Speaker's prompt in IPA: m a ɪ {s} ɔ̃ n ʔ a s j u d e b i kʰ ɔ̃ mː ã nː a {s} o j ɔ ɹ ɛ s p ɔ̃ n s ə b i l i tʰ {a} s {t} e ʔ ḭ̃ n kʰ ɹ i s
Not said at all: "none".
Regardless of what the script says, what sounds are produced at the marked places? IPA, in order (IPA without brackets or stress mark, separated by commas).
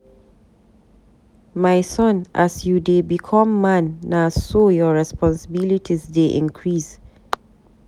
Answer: s, s, i, d